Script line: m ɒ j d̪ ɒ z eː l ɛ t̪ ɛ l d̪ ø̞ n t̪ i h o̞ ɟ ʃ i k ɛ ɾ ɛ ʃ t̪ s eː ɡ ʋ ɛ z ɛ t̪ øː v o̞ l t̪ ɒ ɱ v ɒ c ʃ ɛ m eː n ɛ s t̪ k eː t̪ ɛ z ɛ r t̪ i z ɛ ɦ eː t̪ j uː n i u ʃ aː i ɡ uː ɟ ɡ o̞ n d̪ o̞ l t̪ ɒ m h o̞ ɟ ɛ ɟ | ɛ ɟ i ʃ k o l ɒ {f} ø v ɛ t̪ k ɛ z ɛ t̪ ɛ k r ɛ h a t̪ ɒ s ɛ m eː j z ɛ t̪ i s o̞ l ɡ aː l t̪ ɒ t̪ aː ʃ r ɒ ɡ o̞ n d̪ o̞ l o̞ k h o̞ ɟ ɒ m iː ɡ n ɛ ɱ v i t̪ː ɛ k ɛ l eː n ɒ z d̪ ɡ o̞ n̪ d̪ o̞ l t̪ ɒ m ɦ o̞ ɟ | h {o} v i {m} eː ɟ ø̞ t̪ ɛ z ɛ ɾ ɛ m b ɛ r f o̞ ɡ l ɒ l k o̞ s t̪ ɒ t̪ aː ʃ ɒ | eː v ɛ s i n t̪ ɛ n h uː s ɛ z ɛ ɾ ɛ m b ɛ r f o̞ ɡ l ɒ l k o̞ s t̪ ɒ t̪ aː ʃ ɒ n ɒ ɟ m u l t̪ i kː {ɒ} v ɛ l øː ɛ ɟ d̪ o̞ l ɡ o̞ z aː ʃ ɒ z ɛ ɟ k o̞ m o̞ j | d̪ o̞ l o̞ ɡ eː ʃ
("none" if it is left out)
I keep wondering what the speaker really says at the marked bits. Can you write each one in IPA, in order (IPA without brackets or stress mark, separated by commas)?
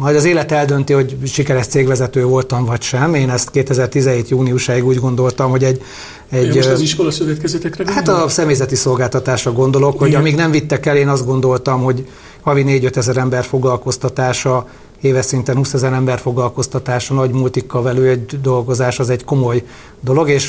s, ɒ, n, ɒ